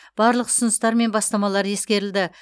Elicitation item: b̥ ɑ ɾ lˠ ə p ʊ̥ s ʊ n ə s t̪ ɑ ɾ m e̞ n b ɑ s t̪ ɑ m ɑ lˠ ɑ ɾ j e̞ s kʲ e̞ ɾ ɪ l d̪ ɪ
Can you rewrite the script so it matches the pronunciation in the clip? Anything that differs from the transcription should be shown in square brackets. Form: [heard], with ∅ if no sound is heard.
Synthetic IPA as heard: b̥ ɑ ɾ lˠ ə [q] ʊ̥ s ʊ n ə s t̪ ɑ ɾ m e̞ n b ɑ s t̪ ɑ m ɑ lˠ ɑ ɾ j e̞ s kʲ e̞ ɾ ɪ l d̪ ɪ